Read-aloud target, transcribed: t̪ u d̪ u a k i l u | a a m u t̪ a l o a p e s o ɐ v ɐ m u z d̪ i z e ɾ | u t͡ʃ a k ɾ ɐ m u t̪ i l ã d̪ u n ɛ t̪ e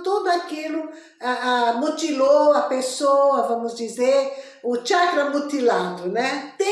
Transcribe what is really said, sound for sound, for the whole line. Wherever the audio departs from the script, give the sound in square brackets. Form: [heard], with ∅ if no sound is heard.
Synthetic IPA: t̪ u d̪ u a k i l u | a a m u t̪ [i] l o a p e s o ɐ v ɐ m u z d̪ i z e ɾ | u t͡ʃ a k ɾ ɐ m u t̪ i l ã d̪ u n ɛ t̪ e